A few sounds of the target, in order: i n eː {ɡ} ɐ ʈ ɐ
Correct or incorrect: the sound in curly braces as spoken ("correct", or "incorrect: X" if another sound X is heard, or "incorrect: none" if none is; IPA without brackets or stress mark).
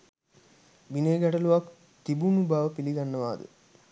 correct